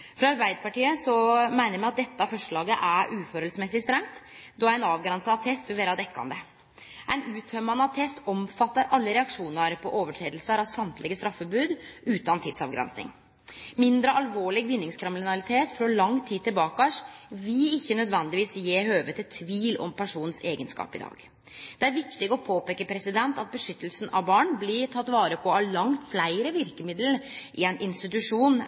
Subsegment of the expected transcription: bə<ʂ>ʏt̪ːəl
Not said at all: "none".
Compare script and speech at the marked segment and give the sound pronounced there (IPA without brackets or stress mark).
ʂ